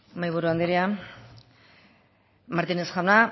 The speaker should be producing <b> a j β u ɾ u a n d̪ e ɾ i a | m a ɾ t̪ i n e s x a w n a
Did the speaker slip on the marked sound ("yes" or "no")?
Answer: yes